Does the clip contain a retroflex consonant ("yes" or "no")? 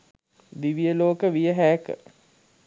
no